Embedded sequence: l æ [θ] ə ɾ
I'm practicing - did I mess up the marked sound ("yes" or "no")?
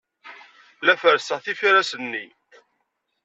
yes